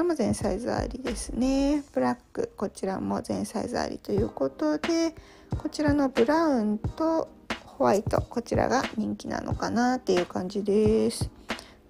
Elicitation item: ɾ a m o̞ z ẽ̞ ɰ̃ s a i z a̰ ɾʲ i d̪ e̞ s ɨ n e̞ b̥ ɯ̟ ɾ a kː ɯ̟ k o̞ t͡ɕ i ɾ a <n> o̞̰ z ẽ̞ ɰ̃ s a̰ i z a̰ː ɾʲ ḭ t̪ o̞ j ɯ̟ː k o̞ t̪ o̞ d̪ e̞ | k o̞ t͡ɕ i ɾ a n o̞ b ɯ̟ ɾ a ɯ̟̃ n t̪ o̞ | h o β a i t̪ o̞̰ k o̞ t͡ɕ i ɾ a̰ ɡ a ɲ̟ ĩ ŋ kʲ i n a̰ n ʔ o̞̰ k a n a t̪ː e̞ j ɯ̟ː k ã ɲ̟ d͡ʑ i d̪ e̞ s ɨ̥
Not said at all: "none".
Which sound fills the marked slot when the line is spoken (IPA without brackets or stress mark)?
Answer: m